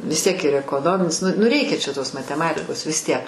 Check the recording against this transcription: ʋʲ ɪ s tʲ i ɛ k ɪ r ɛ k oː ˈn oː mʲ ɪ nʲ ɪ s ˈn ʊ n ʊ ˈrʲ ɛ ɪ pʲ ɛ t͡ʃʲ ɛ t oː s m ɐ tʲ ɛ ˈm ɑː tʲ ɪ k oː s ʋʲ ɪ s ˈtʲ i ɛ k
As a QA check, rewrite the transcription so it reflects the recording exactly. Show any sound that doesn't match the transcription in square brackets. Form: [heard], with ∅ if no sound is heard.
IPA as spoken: ʋʲ ɪ s tʲ i ɛ k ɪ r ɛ k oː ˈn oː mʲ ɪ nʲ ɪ s ˈn ʊ n ʊ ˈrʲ ɛ ɪ [kʲ] ɛ t͡ʃʲ ɛ t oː s m ɐ tʲ ɛ ˈm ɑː tʲ ɪ k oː s ʋʲ ɪ s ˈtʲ i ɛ k